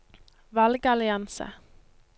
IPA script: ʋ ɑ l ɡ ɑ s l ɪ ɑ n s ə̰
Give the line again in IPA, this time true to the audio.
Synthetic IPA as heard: ʋ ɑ l ɡ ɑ l ɪ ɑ n s ə̰